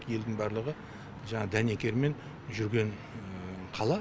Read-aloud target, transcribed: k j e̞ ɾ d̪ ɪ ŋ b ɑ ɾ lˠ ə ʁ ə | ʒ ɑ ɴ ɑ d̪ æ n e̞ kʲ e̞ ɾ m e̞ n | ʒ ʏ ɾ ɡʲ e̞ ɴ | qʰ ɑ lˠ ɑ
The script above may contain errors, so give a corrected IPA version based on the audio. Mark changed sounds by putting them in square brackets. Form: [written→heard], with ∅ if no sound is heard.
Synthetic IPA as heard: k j e̞ [ɾ→l] d̪ ɪ ŋ b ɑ ɾ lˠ ə ʁ ə | ʒ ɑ ɴ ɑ d̪ æ n e̞ kʲ e̞ ɾ m e̞ n | ʒ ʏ ɾ ɡʲ e̞ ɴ | qʰ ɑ lˠ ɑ